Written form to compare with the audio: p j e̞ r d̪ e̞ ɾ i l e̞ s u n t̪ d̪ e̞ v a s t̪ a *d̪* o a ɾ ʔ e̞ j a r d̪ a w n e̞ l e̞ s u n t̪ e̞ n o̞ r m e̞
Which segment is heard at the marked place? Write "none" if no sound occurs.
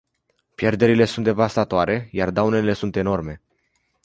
t̪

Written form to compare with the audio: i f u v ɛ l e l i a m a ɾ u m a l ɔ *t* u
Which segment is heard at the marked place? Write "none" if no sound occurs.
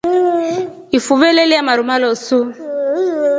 s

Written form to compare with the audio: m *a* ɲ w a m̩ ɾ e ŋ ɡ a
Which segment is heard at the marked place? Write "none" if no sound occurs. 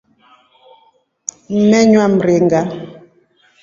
ɛ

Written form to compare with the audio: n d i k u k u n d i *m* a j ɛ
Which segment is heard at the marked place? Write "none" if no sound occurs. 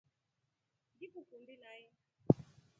n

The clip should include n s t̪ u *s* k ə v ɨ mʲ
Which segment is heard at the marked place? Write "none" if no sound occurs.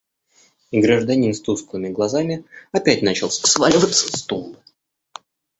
s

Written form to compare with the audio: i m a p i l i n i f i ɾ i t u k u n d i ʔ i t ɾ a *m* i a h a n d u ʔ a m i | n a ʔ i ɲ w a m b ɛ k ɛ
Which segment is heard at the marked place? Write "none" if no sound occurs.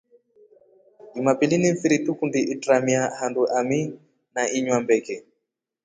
m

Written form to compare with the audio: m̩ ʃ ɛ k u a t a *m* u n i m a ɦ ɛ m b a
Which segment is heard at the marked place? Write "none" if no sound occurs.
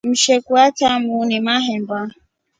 m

